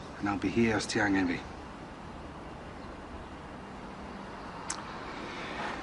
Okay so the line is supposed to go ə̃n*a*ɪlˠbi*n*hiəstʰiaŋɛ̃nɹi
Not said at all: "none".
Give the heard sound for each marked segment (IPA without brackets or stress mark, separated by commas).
a, none